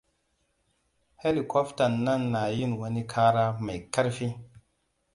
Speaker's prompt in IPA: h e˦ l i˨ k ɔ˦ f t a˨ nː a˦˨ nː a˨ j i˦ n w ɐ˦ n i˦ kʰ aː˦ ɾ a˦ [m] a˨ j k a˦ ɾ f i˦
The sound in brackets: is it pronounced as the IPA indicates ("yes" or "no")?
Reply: yes